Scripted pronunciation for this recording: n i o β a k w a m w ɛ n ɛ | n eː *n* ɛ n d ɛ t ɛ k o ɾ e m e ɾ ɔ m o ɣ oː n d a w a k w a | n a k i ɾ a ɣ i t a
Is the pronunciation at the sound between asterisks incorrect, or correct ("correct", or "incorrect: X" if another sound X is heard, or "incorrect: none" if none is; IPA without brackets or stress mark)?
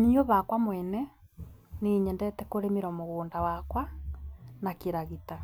incorrect: ɲ